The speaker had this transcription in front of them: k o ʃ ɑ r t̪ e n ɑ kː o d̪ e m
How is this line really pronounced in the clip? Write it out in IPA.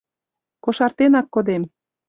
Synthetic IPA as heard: k o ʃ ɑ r t̪ e n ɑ kː o d̪ e m